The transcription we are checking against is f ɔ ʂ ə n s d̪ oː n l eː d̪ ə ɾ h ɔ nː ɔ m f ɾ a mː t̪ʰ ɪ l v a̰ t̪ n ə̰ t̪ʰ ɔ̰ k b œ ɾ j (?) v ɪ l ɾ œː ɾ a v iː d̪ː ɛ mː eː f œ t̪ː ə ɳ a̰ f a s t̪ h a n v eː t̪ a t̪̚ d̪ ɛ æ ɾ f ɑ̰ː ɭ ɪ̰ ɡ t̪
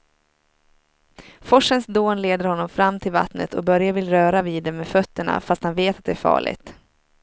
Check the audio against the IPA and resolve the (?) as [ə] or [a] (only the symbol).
a